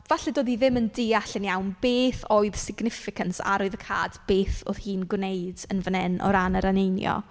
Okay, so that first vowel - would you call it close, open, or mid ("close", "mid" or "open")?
open